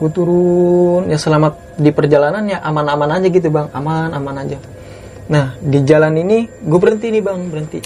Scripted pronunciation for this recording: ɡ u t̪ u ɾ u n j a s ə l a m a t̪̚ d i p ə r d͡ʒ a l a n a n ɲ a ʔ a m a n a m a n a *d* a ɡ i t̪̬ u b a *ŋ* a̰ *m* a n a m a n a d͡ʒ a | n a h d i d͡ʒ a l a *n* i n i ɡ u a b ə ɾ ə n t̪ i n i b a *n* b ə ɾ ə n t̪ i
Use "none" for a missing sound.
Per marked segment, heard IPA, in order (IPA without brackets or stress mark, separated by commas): d͡ʒ, ŋ, m, n, ŋ